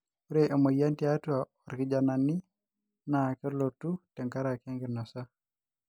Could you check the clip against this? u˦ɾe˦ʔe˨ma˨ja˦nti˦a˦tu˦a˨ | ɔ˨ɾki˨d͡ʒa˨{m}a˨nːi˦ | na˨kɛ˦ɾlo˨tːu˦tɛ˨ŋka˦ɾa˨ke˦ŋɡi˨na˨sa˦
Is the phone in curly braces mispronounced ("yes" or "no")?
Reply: yes